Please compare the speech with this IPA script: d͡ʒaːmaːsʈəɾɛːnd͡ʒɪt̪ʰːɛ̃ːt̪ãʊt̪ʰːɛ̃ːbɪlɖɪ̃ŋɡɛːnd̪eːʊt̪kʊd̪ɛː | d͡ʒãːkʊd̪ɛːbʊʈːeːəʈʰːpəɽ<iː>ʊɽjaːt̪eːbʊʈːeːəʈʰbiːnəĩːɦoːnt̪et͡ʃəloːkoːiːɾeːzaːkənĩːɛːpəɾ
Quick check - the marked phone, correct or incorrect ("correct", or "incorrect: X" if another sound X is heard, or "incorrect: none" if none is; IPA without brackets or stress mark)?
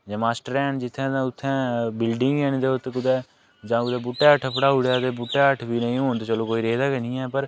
incorrect: aː